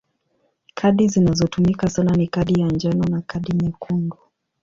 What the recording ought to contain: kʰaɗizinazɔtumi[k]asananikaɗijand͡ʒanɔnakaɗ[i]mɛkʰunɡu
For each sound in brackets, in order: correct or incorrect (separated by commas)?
correct, correct